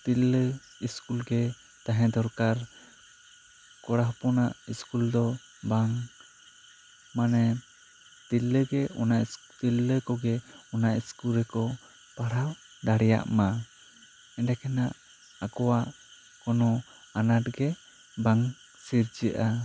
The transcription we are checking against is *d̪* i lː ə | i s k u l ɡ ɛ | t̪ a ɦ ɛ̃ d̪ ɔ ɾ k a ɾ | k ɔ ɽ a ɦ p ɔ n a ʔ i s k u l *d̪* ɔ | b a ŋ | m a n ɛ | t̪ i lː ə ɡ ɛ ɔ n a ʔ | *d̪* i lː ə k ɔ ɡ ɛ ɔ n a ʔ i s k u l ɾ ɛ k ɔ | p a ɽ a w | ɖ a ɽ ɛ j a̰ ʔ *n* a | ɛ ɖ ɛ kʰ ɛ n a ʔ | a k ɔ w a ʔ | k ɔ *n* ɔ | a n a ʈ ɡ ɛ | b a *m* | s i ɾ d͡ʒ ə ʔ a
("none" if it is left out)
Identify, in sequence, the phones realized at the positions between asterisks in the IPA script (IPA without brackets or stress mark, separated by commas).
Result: t̪, d̪, t̪, m, n, ŋ